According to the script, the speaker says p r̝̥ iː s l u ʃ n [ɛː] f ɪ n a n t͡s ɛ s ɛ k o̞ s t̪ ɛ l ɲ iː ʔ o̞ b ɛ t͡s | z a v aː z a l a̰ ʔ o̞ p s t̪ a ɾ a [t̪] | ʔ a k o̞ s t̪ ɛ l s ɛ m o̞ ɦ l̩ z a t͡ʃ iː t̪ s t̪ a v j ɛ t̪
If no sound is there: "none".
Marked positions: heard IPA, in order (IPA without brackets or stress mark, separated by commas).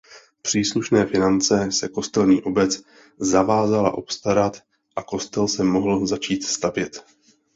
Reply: ɛː, t̪